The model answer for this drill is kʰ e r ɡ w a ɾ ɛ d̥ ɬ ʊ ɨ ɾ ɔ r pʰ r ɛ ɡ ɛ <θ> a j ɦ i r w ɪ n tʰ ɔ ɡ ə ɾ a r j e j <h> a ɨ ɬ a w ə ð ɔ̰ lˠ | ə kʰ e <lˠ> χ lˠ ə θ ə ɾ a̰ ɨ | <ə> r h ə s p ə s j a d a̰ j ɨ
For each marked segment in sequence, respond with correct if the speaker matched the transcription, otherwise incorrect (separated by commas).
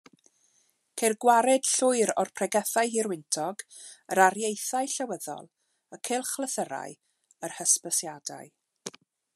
correct, incorrect, correct, correct